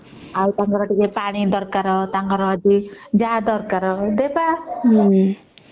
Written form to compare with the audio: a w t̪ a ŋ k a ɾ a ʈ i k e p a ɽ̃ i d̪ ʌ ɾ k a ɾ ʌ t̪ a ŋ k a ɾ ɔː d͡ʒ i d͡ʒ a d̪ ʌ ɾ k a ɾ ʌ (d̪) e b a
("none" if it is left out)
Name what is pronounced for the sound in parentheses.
d̪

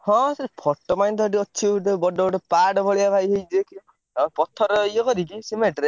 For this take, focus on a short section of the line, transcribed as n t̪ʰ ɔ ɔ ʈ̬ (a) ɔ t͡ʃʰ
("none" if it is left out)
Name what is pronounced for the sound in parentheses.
i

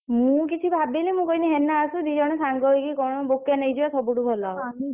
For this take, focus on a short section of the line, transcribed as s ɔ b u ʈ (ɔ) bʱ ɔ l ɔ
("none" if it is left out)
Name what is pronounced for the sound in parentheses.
u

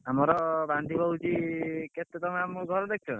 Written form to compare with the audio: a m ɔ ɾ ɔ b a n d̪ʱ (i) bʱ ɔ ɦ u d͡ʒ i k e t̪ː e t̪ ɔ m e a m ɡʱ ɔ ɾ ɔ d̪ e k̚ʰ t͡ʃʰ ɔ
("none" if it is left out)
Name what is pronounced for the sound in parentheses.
i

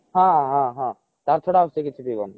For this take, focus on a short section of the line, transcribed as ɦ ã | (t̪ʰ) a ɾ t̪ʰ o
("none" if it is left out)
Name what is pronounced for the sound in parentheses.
t̪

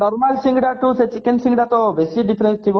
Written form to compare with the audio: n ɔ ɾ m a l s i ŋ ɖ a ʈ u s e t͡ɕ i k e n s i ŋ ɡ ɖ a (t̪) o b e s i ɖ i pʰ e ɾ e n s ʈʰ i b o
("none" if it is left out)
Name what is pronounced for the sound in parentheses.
t̪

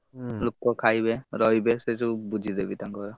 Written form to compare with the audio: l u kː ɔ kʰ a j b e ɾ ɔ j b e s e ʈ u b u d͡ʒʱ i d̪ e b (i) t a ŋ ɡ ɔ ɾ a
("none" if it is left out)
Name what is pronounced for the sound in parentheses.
i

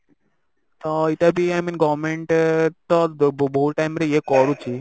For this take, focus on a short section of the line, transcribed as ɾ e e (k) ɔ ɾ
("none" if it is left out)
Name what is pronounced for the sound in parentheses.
k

